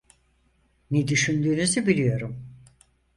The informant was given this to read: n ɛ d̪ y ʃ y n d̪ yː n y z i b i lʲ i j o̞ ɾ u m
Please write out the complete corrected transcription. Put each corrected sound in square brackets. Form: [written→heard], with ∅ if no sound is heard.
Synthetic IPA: n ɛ d̪ y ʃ y n d̪ yː n y z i b i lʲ i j o̞ ɾ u m

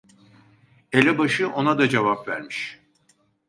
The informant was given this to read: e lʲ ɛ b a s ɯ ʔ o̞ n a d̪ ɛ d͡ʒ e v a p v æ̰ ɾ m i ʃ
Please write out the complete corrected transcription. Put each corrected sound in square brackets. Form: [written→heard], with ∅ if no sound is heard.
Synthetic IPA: e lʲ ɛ b a [s→ʃ] ɯ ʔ o̞ n a d̪ [ɛ→a] d͡ʒ e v a p v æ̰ ɾ m i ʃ

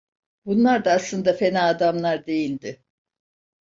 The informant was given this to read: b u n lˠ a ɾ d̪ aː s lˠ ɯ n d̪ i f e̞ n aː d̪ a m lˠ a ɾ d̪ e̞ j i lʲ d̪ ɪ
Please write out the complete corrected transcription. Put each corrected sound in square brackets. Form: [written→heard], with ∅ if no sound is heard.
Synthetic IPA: b u n lˠ a ɾ d̪ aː s lˠ ɯ n d̪ [i→a] f e̞ n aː d̪ a m lˠ a ɾ d̪ e̞ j i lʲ d̪ ɪ

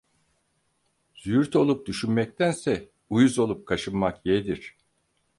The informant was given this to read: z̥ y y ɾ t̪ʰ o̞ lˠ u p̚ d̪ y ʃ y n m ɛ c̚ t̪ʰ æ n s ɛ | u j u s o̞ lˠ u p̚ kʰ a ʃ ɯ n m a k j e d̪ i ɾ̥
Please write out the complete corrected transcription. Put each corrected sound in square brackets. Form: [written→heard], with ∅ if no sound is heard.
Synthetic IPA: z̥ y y ɾ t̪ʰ o̞ lˠ u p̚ d̪ y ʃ y n m ɛ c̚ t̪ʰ æ n s ɛ | u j u [s→z] o̞ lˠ u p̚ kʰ a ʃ ɯ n m a k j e d̪ i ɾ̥

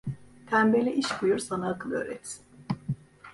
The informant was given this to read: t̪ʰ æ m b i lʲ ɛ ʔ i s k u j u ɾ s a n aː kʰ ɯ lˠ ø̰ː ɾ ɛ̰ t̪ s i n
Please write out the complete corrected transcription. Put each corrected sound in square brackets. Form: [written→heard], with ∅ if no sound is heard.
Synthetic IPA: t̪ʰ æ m b [i→e] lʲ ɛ ʔ i [s→ʃ] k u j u ɾ s a n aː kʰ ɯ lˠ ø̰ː ɾ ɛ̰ t̪ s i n

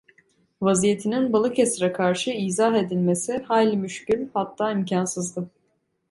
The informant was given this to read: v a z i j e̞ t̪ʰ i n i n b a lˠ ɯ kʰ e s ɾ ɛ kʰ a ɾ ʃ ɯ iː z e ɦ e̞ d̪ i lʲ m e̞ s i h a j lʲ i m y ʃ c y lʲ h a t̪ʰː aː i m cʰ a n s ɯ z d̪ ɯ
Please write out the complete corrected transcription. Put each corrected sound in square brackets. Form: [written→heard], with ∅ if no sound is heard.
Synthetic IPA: v a z i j e̞ t̪ʰ i n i n b a lˠ ɯ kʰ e s ɾ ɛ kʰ a ɾ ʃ ɯ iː z [e→a] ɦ e̞ d̪ i lʲ m e̞ s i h a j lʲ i m y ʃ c y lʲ h a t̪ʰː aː i m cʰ a n s ɯ z d̪ ɯ

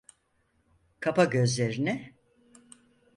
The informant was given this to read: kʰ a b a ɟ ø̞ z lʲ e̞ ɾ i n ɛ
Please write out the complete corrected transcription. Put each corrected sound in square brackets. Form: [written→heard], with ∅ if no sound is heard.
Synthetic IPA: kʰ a [b→p] a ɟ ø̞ z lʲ e̞ ɾ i n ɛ

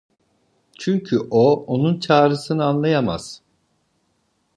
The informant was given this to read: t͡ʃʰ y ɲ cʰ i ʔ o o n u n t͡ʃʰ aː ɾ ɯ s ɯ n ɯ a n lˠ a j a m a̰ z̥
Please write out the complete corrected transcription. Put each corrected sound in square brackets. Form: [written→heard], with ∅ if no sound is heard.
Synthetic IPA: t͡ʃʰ y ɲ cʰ [i→y] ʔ o o n u n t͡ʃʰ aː ɾ ɯ s ɯ n ɯ a n lˠ a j a m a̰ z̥

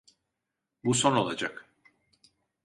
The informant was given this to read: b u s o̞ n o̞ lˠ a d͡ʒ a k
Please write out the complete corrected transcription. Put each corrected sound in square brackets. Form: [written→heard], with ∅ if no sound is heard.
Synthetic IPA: b u s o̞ n o̞ lˠ a d͡ʒ a k

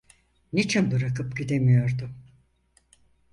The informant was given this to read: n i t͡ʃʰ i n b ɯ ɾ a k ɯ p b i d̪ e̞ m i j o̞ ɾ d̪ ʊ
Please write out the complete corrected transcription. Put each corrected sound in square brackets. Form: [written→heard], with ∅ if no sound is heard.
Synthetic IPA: n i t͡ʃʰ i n b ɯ ɾ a k ɯ p [b→ɟ] i d̪ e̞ m i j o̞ ɾ d̪ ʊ

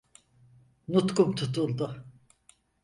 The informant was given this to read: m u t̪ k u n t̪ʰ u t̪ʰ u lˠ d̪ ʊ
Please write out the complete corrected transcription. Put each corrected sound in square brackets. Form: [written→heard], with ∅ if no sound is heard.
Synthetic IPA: [m→n] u t̪ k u [n→m] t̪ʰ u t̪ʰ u lˠ d̪ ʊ

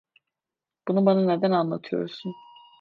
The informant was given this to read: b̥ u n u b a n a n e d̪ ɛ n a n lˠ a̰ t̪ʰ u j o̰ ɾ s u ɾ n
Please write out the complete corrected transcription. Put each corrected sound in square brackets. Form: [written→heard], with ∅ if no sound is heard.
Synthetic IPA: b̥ u n u b a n a n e d̪ [ɛ→æ] n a n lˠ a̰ t̪ʰ [u→ɯ] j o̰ ɾ s u [ɾ→∅] n

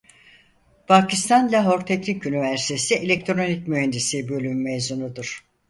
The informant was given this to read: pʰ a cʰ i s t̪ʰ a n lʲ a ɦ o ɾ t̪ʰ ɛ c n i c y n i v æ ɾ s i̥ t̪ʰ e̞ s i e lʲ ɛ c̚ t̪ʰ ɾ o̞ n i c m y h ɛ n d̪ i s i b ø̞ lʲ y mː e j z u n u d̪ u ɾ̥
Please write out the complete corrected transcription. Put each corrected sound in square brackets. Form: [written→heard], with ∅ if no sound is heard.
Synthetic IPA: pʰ a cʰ i s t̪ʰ a n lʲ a ɦ o ɾ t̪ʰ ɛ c n i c y n i v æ ɾ s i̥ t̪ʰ e̞ s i e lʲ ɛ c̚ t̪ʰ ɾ o̞ n i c m y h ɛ n d̪ i s i b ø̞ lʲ y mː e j z u n u d̪ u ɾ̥

